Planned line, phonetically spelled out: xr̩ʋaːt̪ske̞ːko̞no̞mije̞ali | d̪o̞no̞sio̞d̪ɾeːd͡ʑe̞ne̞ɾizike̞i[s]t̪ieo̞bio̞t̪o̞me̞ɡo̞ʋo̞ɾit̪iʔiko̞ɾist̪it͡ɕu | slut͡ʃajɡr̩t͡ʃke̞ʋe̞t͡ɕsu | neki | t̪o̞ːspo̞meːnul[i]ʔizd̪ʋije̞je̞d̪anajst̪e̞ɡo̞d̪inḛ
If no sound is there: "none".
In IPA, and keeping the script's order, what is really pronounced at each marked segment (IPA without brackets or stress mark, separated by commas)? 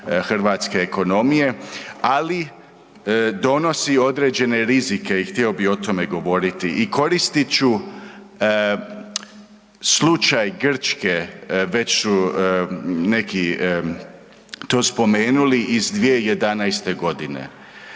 x, i